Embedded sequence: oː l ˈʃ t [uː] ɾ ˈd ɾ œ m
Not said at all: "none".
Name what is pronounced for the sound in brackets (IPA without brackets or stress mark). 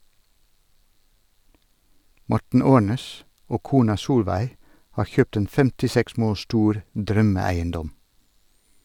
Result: uː